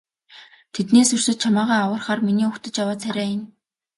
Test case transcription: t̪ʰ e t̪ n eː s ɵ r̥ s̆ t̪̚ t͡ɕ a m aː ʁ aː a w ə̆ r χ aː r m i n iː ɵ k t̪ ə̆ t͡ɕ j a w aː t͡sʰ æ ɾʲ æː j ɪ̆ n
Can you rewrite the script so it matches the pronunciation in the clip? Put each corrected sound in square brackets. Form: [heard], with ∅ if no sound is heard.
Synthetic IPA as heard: t̪ʰ e t̪ n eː s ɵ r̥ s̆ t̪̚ [t͡ɕʰ] a m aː ʁ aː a w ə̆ r χ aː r m i n iː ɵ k t̪ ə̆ t͡ɕ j a w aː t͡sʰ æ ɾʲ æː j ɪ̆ n